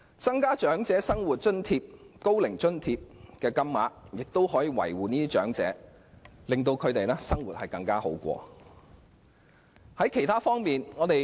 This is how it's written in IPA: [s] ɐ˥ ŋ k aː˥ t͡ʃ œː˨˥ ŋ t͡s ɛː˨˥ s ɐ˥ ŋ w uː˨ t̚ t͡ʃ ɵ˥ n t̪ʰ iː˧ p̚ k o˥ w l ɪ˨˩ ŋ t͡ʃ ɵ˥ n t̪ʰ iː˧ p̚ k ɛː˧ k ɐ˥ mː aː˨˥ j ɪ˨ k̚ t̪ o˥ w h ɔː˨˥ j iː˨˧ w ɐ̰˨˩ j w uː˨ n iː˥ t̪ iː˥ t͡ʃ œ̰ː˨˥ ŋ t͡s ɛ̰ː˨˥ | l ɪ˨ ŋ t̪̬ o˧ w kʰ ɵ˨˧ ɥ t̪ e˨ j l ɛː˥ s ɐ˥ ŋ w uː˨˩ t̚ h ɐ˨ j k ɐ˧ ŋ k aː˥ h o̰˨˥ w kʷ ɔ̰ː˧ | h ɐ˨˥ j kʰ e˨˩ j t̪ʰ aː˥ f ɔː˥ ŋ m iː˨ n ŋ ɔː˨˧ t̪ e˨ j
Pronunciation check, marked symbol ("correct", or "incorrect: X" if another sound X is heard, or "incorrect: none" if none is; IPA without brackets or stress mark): incorrect: t͡s